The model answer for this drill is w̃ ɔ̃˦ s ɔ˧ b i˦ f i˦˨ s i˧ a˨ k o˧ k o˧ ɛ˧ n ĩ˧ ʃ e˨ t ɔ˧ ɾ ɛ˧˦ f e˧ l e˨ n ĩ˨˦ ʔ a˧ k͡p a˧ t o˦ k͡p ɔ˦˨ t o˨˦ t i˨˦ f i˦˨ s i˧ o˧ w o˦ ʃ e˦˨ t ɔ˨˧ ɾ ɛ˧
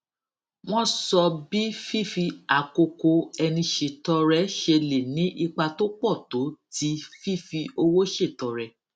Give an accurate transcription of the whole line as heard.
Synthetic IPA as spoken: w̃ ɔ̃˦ s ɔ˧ b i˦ f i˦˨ f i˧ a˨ k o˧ k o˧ ɛ˧ n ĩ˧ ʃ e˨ t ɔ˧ ɾ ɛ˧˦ ʃ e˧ l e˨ n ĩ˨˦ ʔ i˧ k͡p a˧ t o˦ k͡p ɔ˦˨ t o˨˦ t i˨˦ f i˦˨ f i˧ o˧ w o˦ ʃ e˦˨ t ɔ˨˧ ɾ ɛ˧